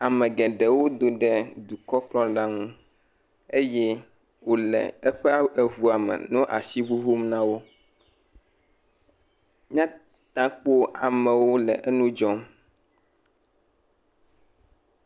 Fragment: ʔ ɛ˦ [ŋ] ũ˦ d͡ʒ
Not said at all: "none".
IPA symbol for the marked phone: n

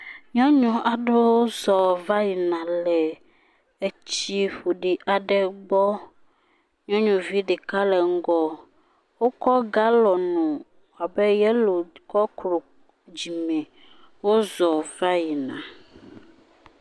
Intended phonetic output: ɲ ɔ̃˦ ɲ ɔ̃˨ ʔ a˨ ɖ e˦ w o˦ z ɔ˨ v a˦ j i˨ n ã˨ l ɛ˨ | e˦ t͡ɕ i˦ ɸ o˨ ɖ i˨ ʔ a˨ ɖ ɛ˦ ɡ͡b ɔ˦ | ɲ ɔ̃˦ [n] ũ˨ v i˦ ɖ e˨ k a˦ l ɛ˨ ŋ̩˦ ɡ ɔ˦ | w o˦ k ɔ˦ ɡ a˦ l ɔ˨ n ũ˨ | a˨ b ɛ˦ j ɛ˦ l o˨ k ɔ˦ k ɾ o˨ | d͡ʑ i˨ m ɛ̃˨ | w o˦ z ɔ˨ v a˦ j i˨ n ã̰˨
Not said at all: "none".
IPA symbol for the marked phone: ɲ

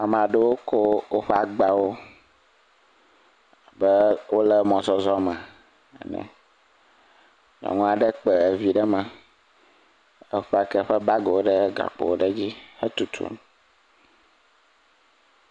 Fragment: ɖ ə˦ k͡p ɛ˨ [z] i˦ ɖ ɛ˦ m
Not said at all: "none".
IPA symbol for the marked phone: v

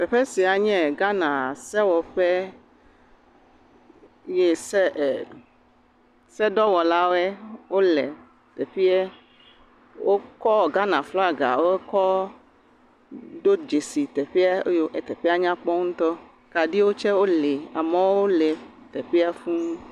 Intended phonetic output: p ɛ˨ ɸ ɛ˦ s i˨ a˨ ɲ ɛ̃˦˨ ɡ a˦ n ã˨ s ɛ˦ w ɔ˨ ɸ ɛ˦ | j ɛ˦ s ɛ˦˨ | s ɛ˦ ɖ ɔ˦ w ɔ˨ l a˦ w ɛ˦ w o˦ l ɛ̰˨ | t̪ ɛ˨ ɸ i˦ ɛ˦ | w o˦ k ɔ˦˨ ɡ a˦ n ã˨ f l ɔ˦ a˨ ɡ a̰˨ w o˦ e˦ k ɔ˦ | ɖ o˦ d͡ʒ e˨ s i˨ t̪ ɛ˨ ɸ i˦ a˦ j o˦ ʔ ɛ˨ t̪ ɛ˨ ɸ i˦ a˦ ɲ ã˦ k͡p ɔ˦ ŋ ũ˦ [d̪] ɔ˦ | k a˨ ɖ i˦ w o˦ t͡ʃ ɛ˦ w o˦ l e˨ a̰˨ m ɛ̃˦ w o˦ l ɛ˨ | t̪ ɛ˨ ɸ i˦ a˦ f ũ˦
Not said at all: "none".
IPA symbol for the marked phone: t̪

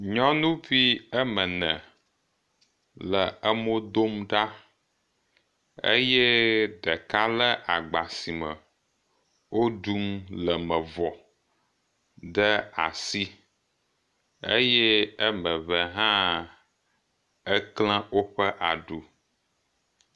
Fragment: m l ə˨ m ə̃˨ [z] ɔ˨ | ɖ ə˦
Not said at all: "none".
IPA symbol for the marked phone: v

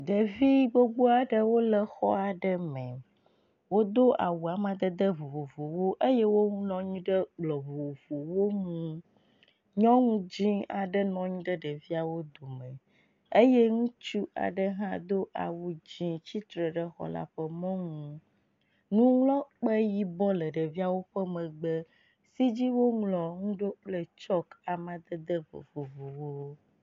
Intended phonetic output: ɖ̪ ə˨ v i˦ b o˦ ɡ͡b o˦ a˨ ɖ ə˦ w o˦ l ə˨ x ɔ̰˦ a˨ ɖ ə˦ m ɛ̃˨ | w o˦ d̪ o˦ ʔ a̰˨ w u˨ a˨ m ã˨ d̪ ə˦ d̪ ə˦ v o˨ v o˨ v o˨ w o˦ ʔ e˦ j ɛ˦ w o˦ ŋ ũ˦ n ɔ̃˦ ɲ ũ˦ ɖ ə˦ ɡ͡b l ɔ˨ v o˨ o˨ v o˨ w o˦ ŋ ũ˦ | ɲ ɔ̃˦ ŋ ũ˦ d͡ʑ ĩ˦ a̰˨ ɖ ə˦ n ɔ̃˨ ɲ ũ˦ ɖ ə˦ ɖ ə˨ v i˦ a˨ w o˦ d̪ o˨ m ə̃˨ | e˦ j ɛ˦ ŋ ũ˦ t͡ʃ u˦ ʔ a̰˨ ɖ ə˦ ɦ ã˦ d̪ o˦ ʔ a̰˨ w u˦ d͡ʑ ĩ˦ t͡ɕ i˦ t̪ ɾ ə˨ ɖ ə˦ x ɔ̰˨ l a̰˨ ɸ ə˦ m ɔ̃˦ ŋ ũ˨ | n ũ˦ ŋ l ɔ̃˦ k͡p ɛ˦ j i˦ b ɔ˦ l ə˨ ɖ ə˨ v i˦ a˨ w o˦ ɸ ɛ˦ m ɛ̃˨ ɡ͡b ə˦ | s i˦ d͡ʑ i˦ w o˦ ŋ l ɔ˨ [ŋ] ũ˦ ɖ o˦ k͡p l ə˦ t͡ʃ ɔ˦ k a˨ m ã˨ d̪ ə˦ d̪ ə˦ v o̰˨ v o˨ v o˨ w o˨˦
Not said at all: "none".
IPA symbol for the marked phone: ŋ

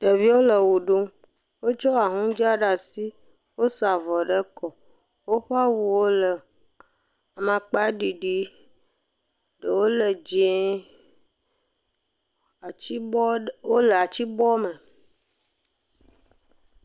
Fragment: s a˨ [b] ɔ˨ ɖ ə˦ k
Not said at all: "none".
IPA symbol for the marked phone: v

